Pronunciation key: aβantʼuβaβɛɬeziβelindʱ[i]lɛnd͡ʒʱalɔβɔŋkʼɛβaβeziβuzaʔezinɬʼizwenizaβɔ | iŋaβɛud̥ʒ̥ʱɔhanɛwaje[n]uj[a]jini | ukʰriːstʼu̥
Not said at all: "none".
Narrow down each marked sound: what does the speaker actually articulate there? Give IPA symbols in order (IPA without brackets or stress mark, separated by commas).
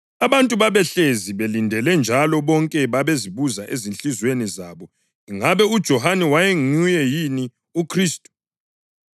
ɛ, ŋ, ɛ